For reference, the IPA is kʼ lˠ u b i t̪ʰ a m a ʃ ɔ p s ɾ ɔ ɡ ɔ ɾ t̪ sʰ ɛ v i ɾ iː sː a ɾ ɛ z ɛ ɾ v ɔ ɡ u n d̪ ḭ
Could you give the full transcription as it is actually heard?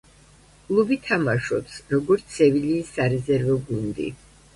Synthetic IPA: kʼ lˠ u b i t̪ʰ a m a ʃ ɔ p s ɾ ɔ ɡ ɔ ɾ t̪ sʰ ɛ v i l iː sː a ɾ ɛ z ɛ ɾ v ɔ ɡ u n d̪ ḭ